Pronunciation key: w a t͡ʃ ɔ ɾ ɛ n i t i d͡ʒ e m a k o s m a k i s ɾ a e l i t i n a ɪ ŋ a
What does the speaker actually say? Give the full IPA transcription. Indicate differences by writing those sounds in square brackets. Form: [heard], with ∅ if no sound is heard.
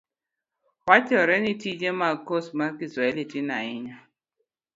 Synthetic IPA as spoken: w a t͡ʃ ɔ ɾ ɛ n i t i d͡ʒ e m a k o s m a k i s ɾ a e l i t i n a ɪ [ɲ] a